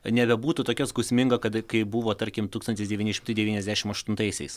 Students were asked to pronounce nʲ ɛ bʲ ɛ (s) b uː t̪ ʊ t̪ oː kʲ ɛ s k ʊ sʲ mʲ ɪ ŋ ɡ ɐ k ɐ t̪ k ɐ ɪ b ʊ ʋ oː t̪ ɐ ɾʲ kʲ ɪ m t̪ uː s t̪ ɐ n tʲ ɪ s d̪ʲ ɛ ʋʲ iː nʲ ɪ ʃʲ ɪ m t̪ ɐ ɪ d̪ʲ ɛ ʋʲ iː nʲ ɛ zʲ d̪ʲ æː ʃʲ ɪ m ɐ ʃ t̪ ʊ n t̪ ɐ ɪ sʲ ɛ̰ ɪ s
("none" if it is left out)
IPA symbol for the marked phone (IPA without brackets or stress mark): none